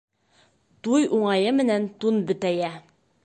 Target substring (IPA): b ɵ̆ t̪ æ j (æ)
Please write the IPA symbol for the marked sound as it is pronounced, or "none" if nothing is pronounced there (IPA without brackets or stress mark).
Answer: æ